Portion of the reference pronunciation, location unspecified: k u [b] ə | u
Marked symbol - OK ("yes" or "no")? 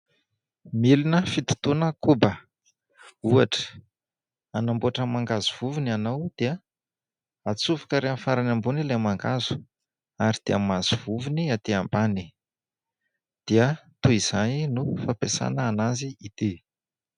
yes